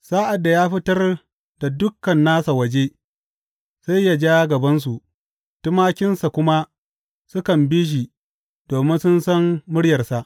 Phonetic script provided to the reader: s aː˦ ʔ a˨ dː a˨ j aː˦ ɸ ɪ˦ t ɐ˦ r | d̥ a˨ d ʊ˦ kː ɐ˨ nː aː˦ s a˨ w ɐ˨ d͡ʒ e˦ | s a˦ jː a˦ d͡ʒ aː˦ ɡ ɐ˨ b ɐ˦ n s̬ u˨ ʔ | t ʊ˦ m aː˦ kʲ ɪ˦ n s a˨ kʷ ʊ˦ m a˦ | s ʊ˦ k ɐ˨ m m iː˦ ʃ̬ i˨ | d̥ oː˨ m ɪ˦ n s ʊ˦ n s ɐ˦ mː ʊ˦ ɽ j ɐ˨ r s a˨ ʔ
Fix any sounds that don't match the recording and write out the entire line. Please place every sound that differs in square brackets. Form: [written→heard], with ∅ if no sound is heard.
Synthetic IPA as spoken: s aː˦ ʔ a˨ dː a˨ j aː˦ ɸ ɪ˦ t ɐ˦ r | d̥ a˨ d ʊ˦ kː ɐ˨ nː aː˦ s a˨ w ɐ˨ d͡ʒ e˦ | s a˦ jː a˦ d͡ʒ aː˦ ɡ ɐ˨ b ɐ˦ n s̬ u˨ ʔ | t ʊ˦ m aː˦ kʲ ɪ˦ n s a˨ kʷ ʊ˦ m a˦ | s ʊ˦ k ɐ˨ m [m→b] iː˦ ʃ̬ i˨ | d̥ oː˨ m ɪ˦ n s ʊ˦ n s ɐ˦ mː ʊ˦ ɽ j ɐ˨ r s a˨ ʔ